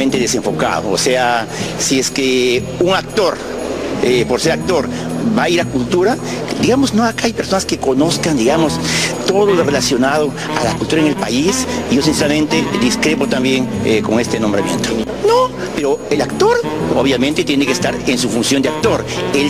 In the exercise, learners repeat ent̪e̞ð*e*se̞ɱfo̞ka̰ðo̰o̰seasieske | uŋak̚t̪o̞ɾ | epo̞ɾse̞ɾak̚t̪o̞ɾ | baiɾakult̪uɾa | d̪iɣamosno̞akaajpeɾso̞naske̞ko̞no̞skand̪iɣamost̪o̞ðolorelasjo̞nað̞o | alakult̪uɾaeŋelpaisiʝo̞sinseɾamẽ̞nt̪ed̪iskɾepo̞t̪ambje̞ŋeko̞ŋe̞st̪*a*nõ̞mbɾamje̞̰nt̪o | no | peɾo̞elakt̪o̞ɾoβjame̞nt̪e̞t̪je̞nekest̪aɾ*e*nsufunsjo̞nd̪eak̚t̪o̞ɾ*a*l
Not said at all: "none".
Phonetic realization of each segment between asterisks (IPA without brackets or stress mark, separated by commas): e, e, e, e